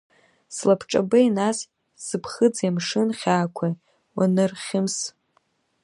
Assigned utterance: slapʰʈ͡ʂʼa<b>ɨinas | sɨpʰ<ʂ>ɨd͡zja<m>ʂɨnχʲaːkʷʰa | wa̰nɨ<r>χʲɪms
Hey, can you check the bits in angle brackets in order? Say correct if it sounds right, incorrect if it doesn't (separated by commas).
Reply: correct, incorrect, correct, correct